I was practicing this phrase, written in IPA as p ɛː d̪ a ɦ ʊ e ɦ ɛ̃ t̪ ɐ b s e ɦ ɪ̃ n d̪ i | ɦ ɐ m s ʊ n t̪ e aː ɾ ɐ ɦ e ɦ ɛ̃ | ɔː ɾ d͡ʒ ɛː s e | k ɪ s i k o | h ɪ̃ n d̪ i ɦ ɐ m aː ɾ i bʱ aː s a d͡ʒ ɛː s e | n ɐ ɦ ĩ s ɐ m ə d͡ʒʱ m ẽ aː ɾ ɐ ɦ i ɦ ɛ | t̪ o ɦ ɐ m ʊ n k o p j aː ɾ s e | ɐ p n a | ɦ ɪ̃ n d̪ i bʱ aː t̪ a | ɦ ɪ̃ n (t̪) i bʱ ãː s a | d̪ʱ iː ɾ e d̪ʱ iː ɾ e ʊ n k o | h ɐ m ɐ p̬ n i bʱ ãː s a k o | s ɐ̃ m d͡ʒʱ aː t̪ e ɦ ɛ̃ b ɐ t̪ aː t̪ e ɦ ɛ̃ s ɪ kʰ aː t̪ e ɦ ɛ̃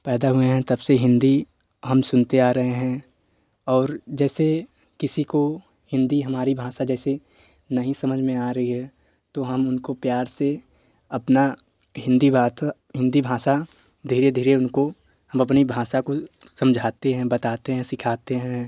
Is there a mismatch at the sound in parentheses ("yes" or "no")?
yes